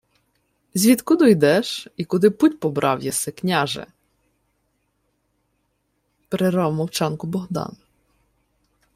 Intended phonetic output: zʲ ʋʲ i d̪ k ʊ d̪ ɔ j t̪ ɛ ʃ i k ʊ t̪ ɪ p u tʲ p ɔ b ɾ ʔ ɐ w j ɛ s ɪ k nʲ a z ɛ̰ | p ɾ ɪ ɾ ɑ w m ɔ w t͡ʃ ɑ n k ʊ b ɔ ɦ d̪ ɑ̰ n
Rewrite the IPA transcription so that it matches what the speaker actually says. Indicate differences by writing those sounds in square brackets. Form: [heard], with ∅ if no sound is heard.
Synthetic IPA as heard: zʲ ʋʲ i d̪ k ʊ d̪ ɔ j [d̪] ɛ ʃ i k ʊ [d̪] ɪ p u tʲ p ɔ b ɾ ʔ [ɑ] w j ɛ s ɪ k nʲ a [ʒ] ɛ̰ | p ɾ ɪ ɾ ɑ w m ɔ w t͡ʃ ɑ n k ʊ b ɔ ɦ d̪ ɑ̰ n